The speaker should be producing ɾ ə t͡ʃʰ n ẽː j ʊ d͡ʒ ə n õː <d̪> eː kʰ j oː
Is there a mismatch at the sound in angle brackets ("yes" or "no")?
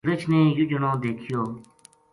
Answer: no